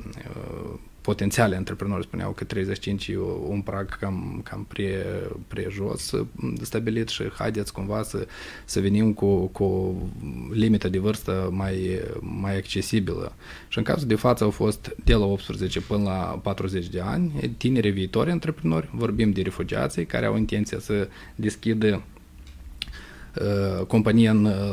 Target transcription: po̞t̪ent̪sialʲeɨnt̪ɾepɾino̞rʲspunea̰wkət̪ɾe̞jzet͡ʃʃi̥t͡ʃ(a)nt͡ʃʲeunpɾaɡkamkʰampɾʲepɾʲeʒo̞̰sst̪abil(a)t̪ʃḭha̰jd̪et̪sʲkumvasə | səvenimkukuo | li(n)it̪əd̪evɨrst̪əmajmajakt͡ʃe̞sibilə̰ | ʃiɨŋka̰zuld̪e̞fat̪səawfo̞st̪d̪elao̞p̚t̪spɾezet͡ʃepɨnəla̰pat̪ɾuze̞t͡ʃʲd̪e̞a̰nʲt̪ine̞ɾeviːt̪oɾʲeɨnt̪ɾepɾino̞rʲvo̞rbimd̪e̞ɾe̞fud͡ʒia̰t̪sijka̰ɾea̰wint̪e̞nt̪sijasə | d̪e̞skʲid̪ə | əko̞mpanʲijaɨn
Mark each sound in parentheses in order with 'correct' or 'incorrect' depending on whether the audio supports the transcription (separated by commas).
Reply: incorrect, incorrect, incorrect